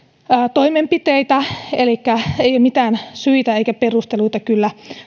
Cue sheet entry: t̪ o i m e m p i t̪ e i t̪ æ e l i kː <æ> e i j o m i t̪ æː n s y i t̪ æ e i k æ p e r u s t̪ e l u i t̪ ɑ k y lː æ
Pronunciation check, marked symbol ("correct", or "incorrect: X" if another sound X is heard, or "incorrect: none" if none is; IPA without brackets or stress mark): correct